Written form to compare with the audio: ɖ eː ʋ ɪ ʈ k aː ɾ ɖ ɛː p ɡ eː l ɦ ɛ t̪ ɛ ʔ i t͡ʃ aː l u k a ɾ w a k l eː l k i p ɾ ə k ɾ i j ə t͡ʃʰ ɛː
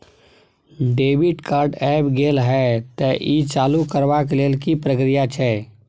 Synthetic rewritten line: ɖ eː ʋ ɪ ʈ k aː ɾ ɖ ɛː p ɡ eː l ɦ ɛ t̪ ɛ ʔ i t͡ʃ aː l u k ə ɾ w a k l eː l k i p ɾ ə k ɾ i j a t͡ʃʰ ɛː